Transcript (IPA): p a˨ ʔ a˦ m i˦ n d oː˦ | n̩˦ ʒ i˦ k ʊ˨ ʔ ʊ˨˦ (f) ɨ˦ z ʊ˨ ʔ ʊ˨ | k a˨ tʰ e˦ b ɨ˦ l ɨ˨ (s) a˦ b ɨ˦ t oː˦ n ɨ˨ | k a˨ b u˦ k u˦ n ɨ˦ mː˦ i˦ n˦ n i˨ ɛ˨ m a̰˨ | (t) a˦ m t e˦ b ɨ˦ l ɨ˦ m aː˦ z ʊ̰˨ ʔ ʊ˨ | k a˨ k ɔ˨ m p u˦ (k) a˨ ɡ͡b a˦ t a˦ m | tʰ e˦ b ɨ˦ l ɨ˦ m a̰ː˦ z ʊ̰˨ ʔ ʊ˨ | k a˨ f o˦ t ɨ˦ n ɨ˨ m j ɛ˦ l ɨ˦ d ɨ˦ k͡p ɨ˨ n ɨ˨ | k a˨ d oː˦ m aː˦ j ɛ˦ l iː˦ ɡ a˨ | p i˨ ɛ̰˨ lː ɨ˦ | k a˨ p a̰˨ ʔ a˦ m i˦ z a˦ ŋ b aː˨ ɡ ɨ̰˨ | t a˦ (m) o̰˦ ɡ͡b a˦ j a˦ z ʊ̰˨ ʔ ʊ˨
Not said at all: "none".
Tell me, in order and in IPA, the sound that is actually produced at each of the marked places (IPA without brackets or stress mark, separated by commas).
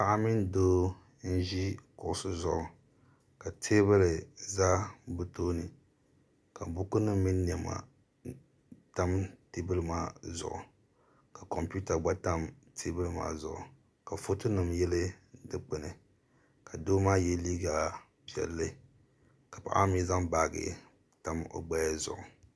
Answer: s, z, t, t, m